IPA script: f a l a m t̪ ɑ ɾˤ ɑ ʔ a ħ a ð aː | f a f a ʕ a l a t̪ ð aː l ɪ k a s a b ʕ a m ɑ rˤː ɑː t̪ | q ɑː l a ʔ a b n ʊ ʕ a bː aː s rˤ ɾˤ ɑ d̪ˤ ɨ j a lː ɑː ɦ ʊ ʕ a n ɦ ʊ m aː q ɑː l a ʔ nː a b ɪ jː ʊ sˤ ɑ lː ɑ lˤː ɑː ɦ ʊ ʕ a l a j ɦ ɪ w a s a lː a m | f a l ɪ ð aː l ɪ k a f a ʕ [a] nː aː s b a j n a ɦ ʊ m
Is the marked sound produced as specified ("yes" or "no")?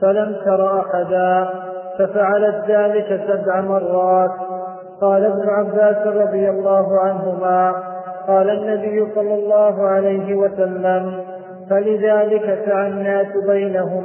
yes